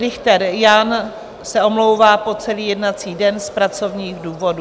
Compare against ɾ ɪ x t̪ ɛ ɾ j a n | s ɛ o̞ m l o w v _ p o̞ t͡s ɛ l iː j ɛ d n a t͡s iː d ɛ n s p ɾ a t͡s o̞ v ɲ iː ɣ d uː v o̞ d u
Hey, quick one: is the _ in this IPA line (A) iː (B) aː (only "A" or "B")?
B